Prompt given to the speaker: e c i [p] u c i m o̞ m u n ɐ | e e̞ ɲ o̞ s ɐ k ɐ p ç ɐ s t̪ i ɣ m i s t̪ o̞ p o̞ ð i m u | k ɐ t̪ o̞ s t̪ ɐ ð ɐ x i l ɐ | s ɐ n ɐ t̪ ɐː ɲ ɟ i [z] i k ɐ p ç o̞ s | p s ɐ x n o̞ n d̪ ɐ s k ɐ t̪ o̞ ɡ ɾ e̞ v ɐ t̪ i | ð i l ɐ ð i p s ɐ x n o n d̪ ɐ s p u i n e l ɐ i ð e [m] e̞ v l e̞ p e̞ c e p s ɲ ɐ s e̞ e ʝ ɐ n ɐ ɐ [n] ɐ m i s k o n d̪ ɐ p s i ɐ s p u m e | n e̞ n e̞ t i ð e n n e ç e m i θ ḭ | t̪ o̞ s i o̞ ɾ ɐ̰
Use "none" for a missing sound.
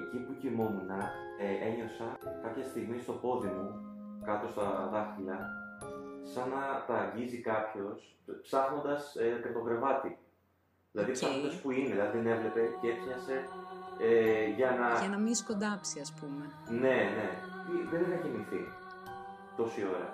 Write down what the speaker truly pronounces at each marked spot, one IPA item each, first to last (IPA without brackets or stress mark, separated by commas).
p, z, n, n